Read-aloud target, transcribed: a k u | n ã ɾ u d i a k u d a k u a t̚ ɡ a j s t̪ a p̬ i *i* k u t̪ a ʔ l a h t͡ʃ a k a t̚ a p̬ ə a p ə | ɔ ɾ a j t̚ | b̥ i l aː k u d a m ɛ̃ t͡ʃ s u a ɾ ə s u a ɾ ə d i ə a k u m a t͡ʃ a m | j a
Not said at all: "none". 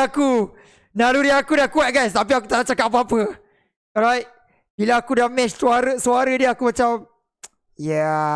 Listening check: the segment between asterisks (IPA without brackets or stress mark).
a